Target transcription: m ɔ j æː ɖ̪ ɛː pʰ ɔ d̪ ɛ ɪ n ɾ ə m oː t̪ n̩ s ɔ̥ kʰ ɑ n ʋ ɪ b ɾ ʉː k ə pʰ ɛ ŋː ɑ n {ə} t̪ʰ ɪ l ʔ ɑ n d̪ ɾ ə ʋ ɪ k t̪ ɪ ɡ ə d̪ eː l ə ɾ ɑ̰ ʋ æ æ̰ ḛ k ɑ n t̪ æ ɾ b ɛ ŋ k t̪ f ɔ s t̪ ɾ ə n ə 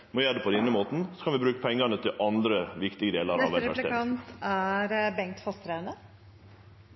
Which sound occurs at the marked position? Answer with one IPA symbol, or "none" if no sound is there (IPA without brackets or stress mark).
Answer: ə